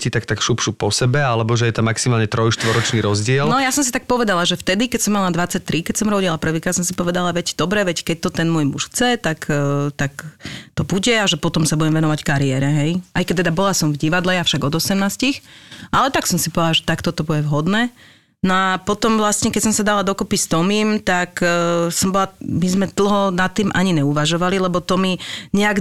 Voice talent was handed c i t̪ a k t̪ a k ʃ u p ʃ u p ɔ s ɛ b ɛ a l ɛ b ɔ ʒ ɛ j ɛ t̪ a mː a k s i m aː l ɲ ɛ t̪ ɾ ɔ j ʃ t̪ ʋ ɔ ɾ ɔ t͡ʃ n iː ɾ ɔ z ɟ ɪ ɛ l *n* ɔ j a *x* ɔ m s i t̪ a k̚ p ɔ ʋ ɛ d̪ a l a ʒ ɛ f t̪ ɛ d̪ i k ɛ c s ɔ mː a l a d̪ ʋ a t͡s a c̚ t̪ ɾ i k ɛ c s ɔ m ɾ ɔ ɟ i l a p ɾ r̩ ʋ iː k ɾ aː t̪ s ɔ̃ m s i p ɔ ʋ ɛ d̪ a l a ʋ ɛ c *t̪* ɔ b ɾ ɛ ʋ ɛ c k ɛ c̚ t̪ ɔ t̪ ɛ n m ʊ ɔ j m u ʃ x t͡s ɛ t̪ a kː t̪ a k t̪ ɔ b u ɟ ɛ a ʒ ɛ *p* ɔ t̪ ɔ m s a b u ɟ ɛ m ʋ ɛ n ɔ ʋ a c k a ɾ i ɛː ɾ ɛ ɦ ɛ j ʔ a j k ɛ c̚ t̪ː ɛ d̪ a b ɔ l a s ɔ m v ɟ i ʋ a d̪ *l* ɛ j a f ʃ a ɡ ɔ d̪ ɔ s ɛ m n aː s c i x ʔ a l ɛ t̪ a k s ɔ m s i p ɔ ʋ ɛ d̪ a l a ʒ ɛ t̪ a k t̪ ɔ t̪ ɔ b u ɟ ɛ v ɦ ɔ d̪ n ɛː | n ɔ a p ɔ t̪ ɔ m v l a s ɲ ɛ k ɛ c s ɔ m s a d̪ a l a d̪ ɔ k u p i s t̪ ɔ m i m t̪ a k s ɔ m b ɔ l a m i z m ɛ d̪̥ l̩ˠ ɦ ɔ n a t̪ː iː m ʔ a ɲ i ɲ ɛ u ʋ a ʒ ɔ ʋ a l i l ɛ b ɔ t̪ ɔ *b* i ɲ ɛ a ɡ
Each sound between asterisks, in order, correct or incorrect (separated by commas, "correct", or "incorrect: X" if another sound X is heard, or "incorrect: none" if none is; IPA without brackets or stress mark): correct, incorrect: s, incorrect: d̪, correct, correct, incorrect: m